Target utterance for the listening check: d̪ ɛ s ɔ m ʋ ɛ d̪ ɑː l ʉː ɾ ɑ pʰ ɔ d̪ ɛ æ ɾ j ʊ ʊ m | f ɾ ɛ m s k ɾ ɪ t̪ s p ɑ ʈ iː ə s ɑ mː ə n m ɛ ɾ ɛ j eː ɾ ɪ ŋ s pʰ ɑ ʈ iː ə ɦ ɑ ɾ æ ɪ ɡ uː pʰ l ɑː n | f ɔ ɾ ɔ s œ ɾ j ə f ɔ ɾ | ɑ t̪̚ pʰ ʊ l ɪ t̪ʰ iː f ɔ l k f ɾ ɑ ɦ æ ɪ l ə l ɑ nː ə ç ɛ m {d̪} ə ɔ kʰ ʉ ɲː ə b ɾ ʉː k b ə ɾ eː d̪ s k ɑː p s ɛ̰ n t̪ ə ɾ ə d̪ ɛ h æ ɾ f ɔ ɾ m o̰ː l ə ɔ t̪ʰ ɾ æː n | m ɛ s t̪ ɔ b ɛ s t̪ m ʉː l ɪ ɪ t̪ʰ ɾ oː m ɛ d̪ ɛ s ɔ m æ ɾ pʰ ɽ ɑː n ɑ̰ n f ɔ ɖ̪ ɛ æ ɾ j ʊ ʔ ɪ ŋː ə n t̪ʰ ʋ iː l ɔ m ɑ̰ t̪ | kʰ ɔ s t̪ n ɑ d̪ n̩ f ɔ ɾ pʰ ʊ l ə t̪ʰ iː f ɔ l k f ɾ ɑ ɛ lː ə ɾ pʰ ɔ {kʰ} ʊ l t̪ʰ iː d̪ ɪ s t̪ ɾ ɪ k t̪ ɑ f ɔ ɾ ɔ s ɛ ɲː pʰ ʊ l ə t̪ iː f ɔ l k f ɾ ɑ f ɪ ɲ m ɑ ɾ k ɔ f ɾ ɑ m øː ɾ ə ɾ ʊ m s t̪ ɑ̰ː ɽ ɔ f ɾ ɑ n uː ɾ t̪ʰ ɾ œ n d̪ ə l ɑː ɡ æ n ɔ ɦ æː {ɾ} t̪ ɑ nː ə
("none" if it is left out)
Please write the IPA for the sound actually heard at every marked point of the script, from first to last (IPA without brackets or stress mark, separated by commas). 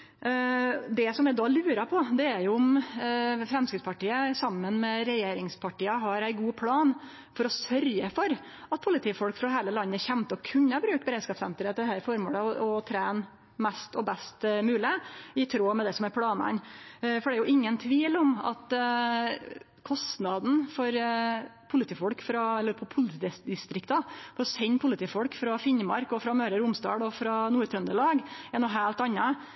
t̪, pʰ, l